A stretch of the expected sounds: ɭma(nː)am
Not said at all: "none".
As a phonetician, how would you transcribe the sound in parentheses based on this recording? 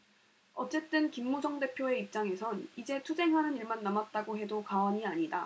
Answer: nː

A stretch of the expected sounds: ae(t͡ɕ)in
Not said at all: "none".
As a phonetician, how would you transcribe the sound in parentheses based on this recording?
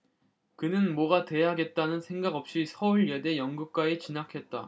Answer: t͡ɕ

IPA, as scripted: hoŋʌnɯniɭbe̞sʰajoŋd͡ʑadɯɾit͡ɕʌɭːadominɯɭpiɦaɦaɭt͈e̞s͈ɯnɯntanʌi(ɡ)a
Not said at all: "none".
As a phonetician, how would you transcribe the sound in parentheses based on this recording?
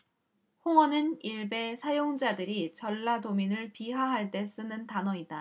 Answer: d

